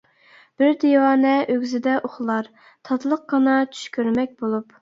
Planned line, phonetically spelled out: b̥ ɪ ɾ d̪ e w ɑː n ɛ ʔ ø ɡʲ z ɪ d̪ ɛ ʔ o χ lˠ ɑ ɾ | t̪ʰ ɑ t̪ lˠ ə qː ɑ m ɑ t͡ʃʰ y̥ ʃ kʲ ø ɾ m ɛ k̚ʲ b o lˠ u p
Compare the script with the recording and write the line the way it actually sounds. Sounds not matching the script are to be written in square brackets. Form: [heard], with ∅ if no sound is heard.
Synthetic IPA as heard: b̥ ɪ ɾ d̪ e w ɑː n ɛ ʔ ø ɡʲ z ɪ d̪ ɛ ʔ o χ lˠ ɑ ɾ | t̪ʰ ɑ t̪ lˠ ə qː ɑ [n] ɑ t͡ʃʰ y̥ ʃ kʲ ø ɾ m ɛ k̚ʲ b o lˠ u p